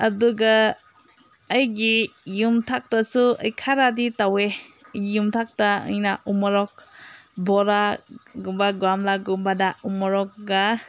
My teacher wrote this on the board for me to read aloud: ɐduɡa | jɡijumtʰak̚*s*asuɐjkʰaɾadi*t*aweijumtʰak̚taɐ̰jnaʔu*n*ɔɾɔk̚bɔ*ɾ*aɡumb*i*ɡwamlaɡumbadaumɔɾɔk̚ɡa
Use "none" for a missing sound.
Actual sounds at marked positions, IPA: t, t, m, ɾ, a

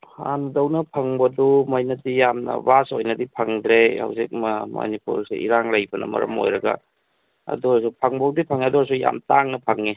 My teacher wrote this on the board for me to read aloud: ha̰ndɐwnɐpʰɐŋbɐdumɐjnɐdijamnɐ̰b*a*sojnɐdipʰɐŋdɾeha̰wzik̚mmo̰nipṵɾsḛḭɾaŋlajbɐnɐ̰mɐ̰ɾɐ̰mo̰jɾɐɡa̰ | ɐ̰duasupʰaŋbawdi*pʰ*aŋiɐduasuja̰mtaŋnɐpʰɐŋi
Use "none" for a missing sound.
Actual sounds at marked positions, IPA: a, pʰ

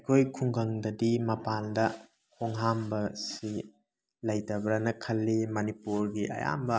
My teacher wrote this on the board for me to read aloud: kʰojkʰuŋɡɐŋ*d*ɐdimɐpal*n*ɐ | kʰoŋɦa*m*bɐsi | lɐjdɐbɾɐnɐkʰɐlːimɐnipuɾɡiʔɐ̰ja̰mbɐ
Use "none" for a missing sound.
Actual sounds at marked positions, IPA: d, d, m

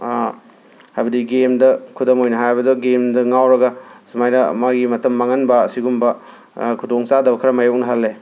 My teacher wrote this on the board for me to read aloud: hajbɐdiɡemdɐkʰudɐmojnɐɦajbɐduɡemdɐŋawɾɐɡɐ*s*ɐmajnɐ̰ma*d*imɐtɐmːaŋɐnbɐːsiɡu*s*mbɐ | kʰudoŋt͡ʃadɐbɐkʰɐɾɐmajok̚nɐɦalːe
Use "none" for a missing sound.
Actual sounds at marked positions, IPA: s, ɡ, none

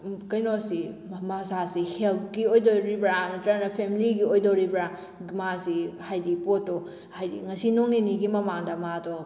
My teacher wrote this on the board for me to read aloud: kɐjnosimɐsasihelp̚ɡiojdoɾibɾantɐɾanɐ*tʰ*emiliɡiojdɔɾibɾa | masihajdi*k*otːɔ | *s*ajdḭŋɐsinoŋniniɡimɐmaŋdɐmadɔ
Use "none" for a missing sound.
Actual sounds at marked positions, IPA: pʰ, p, h

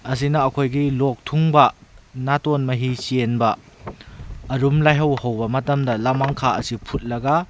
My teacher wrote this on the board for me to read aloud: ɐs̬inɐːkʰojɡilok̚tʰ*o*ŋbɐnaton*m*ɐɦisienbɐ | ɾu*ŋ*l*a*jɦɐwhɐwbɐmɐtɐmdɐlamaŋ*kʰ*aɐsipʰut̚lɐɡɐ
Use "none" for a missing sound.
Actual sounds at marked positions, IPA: u, m, m, a, kʰ

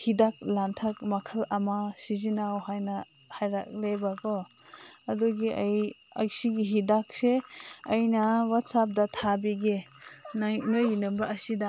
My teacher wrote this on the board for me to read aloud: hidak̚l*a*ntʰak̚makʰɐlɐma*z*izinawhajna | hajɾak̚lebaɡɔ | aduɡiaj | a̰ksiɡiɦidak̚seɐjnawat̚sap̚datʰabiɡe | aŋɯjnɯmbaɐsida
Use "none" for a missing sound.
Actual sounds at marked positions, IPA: a, s

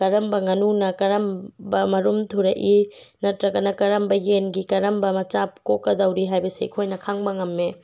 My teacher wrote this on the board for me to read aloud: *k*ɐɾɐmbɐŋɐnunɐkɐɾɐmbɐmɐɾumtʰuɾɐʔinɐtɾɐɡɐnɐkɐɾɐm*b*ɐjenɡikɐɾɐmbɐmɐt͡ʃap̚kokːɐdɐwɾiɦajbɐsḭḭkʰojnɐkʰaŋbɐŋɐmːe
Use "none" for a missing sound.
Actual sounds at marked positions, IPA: k, b

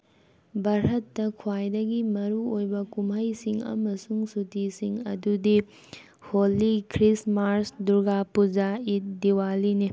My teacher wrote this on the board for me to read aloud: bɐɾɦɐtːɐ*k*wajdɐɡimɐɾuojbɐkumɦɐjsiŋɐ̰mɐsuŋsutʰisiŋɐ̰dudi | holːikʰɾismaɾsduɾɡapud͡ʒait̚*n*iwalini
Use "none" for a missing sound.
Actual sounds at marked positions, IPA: kʰ, d

